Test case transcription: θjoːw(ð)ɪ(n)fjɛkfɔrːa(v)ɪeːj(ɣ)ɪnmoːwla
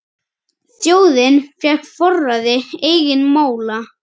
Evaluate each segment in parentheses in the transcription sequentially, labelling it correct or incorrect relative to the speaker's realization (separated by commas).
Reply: correct, correct, incorrect, correct